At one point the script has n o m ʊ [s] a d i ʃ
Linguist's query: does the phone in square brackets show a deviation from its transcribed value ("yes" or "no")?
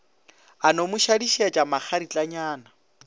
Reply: yes